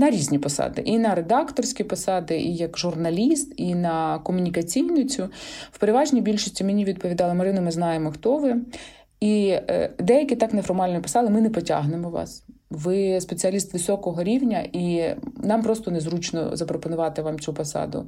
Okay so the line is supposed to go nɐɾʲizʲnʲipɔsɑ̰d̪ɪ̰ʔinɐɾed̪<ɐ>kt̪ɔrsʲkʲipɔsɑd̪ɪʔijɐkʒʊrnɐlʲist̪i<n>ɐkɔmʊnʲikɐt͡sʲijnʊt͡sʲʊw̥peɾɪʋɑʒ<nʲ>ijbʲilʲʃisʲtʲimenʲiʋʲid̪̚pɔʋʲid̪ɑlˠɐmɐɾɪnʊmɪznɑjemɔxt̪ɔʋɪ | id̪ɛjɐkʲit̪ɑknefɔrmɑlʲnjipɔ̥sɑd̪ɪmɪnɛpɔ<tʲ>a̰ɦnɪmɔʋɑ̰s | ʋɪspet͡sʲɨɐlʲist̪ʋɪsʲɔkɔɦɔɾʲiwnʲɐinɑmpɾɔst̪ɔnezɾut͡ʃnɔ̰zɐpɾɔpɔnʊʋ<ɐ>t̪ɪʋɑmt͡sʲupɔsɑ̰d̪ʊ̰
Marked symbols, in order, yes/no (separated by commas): no, yes, yes, yes, no